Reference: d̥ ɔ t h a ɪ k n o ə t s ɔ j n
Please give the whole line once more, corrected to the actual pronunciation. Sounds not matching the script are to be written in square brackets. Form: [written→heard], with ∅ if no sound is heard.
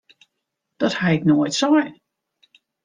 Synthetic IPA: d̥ ɔ t h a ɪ k n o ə t s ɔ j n